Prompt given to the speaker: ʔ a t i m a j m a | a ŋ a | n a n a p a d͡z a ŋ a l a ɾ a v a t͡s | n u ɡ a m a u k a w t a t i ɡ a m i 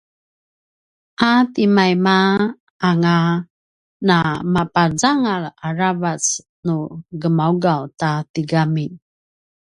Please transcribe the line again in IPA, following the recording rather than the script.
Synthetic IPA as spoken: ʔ a t i m a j m a | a ŋ a | n a m a p a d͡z a ŋ a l a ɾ a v a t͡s | n u ɡ ə m a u ɡ a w t a t i ɡ a m i